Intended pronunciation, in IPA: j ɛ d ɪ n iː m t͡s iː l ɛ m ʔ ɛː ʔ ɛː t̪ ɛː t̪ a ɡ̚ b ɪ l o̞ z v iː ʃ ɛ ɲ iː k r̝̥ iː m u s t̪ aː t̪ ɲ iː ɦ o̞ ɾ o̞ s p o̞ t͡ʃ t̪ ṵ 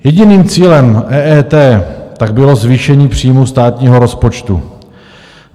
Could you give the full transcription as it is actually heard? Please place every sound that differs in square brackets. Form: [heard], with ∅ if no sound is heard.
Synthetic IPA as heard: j ɛ [ɟ] ɪ n iː m t͡s iː l ɛ m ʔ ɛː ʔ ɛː t̪ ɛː t̪ a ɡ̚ b ɪ l o̞ z v iː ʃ ɛ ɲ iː [p] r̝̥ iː m u s t̪ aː t̪ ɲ iː ɦ o̞ ɾ o̞ s p o̞ t͡ʃ t̪ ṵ